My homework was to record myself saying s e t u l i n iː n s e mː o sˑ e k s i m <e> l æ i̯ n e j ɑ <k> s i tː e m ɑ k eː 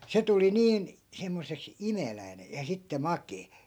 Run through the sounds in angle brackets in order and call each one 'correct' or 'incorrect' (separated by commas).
correct, incorrect